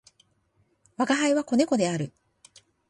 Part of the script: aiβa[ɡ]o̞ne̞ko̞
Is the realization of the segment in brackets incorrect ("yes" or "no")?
yes